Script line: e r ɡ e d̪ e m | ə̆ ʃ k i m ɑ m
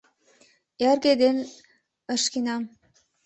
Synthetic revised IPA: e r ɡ e d̪ e n | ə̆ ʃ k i n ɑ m